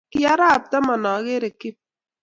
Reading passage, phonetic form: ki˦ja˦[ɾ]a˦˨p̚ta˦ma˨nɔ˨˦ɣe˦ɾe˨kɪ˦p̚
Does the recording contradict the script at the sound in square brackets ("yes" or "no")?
no